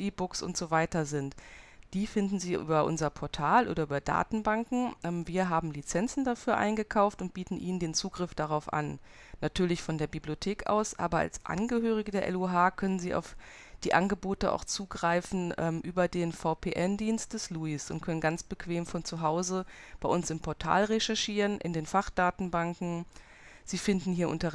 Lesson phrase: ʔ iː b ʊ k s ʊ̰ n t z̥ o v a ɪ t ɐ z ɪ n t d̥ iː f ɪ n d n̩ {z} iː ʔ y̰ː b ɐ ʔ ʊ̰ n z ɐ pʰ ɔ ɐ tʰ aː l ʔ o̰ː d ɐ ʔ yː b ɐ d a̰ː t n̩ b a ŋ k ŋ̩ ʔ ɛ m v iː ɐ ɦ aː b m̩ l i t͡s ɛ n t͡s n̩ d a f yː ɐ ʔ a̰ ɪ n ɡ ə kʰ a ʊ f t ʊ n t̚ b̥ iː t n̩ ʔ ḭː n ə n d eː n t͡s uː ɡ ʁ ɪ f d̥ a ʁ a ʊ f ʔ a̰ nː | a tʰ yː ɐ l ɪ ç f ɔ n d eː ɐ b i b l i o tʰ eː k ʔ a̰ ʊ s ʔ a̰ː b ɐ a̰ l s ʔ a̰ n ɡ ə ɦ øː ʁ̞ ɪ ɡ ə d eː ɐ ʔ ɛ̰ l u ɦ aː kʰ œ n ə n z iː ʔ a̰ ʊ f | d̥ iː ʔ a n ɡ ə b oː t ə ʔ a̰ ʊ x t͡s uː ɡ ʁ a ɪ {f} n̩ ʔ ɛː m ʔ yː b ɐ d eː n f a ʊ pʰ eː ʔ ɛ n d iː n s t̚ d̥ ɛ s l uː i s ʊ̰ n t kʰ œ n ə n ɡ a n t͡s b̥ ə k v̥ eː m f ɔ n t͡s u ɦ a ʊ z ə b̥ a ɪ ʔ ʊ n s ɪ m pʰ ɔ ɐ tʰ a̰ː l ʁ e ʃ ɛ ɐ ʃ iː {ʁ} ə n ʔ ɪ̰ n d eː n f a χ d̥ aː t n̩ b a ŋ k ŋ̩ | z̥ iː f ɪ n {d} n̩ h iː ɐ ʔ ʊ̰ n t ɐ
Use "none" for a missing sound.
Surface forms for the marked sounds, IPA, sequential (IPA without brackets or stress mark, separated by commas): z, f, ʁ, d